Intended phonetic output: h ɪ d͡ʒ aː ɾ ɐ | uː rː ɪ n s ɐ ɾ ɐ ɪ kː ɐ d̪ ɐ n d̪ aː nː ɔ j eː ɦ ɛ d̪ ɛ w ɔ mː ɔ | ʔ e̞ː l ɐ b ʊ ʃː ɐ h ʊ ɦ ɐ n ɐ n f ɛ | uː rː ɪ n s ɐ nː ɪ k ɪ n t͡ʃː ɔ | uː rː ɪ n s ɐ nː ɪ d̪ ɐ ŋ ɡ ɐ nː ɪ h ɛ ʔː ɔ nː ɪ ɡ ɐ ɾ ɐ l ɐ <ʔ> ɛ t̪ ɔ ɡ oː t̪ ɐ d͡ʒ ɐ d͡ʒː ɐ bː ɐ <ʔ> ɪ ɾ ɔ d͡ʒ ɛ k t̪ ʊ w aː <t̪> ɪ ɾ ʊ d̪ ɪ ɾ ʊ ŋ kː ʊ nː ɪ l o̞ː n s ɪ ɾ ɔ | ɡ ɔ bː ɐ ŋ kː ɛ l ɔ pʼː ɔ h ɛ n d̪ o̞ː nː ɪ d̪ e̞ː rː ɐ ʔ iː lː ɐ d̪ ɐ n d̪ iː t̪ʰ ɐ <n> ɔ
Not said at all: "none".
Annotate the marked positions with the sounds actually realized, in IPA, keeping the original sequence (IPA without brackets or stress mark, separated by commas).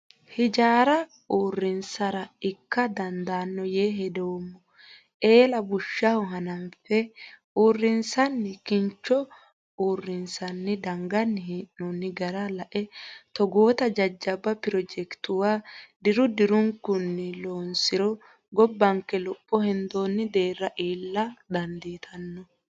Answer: ʔ, p, d̪, nː